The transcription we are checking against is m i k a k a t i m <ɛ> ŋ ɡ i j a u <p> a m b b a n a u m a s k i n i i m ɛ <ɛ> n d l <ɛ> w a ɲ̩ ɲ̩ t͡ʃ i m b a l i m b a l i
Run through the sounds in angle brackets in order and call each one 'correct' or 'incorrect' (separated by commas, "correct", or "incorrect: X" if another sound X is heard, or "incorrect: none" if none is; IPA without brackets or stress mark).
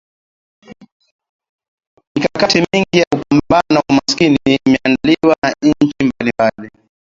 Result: incorrect: i, correct, incorrect: a, incorrect: i